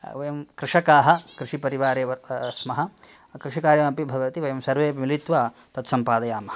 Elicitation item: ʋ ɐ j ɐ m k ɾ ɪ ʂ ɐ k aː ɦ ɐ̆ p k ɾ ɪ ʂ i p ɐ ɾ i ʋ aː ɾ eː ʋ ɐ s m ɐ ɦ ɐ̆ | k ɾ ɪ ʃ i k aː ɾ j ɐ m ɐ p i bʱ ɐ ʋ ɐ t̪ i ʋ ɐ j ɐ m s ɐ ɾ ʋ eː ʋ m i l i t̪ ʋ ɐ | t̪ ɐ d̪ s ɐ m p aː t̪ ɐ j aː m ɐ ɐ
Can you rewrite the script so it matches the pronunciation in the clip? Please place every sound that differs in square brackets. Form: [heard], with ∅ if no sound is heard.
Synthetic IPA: ʋ ɐ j ɐ m k ɾ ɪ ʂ ɐ k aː ɦ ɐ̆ [∅] k ɾ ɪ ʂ i p ɐ ɾ i ʋ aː ɾ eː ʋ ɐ s m ɐ ɦ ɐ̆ | k ɾ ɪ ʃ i k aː ɾ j ɐ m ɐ p i bʱ ɐ ʋ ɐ t̪ i ʋ ɐ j ɐ m s ɐ ɾ ʋ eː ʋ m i l i t̪ ʋ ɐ | t̪ ɐ [t̪] s ɐ m p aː [d̪] ɐ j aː m ɐ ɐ